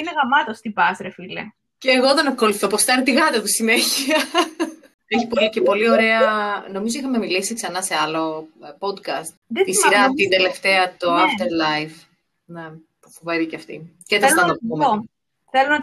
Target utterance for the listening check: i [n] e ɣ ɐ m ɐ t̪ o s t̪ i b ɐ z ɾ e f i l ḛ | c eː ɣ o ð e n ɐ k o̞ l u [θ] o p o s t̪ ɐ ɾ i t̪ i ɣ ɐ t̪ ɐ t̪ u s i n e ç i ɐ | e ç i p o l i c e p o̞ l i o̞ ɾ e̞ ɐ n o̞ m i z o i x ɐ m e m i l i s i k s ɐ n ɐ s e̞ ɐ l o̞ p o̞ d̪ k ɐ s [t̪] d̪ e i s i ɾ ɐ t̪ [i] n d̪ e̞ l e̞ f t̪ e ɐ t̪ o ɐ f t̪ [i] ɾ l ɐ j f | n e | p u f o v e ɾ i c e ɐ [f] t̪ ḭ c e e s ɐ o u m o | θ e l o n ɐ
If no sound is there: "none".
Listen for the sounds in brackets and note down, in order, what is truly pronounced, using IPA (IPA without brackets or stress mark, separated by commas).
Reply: n, θ, t̪, i, e, f